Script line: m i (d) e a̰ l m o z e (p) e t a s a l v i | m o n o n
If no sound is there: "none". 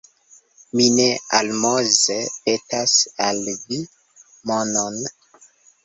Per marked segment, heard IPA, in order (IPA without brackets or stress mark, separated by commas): n, p